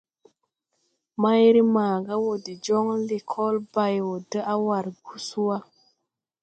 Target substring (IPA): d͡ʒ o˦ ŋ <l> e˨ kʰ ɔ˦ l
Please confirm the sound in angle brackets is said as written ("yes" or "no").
yes